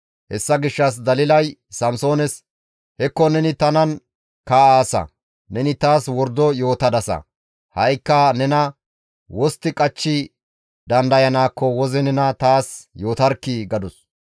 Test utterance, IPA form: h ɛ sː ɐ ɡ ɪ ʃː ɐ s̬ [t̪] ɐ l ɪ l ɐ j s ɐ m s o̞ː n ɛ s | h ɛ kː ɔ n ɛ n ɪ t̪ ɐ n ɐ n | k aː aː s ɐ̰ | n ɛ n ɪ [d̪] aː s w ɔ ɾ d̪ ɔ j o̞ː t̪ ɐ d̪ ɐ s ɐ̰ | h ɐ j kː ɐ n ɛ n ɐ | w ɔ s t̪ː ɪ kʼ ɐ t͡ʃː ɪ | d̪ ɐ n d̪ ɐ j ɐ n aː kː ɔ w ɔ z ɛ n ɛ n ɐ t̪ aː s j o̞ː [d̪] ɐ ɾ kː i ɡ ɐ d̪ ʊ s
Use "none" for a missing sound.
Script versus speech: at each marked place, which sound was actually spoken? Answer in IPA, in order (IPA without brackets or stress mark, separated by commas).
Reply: d̪, t̪, t̪